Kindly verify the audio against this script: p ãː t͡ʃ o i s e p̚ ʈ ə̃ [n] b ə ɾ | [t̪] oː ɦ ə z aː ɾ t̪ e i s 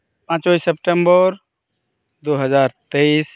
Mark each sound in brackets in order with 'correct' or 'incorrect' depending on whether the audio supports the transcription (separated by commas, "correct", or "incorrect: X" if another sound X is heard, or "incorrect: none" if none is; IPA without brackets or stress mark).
incorrect: m, incorrect: d̪